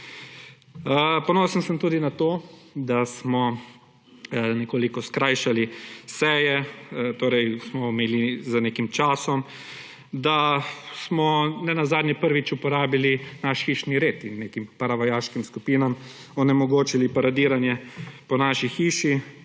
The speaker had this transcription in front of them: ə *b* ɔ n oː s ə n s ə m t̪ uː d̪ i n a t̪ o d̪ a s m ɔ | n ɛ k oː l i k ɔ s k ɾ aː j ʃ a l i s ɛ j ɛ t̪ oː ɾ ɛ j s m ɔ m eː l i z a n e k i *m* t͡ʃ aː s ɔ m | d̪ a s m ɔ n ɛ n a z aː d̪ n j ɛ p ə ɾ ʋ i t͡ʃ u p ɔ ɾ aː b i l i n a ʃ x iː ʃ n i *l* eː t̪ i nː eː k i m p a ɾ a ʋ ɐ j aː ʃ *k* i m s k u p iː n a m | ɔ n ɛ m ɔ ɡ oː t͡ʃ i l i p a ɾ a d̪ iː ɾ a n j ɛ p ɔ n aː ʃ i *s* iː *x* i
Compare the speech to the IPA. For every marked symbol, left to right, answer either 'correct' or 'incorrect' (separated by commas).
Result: incorrect, correct, incorrect, correct, incorrect, incorrect